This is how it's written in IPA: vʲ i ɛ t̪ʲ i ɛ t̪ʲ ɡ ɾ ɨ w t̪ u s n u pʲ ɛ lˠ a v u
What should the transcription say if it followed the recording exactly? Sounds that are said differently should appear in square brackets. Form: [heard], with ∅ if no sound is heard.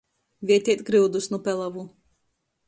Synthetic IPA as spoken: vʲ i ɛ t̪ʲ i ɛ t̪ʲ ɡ ɾ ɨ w [d̪] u s n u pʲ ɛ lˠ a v u